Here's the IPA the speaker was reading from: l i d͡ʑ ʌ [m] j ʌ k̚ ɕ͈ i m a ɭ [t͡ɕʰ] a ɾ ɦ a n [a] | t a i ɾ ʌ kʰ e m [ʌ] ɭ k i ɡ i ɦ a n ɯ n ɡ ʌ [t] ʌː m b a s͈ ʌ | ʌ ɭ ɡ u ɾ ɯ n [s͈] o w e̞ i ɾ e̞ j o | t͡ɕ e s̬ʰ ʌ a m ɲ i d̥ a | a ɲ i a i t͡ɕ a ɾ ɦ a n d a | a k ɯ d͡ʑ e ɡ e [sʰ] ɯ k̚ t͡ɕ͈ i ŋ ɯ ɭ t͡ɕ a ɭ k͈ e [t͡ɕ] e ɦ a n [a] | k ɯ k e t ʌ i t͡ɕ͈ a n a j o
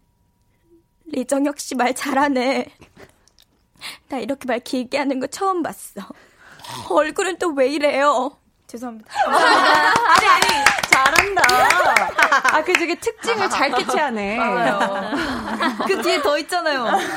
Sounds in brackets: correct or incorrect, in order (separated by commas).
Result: incorrect, incorrect, incorrect, incorrect, incorrect, incorrect, incorrect, incorrect, incorrect